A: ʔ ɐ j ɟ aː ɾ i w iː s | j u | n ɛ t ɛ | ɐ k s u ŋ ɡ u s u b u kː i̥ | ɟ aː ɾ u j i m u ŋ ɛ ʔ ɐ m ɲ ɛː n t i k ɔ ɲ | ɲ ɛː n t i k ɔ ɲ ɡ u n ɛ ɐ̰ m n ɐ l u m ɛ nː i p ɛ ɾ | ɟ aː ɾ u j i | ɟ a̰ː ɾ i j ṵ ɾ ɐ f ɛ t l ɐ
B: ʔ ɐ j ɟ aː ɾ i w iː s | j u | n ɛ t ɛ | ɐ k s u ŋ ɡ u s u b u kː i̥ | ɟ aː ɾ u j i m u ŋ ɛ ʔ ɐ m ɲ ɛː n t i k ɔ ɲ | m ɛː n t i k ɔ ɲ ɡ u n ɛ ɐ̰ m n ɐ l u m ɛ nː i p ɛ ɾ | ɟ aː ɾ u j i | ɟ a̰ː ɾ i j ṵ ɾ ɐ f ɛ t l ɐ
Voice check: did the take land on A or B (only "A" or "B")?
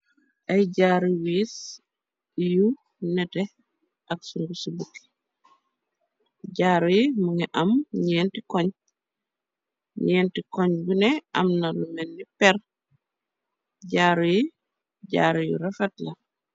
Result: A